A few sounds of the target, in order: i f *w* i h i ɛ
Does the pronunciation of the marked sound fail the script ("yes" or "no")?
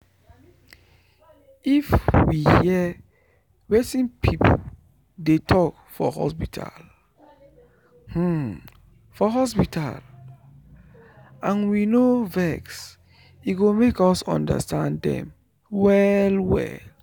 no